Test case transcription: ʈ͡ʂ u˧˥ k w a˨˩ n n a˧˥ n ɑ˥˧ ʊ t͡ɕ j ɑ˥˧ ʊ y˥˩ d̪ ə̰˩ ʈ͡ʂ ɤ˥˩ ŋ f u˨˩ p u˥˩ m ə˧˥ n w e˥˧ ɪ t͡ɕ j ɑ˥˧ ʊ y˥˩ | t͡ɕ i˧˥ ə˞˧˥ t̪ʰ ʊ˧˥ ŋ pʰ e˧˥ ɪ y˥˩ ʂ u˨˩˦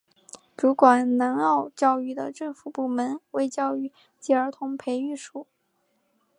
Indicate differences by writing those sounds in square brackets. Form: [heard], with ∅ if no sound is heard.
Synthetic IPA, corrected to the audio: ʈ͡ʂ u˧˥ k w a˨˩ n n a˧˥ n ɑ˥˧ ʊ t͡ɕ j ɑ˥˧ ʊ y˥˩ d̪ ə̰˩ ʈ͡ʂ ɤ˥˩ ŋ f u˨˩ p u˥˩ m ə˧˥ n w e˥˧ ɪ t͡ɕ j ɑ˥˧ ʊ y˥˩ | t͡ɕ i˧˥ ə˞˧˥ t̪ʰ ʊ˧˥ ŋ pʰ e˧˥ ɪ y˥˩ ʂ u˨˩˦